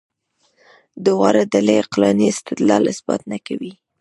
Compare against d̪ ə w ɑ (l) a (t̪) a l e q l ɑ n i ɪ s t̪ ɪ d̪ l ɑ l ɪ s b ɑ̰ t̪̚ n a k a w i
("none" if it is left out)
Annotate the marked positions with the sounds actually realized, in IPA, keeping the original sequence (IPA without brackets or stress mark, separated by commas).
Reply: ɾ, d̪